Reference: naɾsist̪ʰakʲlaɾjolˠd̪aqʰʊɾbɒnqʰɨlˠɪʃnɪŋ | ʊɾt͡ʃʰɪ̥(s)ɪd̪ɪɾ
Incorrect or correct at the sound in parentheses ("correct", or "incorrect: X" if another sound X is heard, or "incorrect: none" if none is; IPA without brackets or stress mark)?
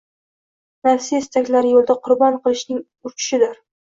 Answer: incorrect: ʃ